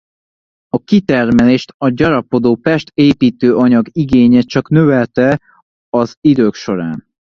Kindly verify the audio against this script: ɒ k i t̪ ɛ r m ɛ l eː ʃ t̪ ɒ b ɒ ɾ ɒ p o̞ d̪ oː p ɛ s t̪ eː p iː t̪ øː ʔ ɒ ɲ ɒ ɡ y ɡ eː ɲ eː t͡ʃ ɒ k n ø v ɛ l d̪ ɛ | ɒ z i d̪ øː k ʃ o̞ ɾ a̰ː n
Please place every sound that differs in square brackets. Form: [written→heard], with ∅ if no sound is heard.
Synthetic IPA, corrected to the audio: ɒ k i t̪ ɛ r m ɛ l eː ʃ t̪ ɒ [b→ɟ] ɒ ɾ ɒ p o̞ d̪ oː p ɛ [s→ʃ] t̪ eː p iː t̪ øː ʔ ɒ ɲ ɒ ɡ [y→i] ɡ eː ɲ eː t͡ʃ ɒ k n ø v ɛ l [d̪→t̪] ɛ | ɒ z i d̪ øː k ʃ o̞ ɾ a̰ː n